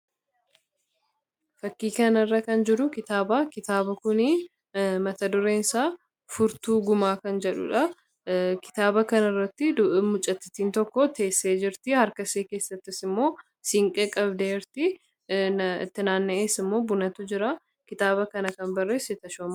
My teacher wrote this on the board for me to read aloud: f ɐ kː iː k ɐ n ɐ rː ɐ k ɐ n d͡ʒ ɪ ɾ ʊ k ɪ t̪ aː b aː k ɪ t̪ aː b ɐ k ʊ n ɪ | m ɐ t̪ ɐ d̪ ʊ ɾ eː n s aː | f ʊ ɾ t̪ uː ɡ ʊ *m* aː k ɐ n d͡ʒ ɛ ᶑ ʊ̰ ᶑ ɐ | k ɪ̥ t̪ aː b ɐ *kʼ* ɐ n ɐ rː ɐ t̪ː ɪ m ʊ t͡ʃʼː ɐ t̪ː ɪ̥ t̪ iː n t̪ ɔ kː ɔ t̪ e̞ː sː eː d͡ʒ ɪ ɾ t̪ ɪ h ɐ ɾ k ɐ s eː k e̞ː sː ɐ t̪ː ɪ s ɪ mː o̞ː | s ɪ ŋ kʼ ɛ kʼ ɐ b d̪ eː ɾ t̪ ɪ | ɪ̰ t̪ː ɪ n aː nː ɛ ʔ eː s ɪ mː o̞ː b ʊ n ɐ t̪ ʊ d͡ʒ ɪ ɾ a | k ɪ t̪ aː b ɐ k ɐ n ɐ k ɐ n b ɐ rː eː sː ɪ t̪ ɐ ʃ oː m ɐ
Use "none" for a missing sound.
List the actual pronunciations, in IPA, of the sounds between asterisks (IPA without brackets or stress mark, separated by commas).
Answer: m, k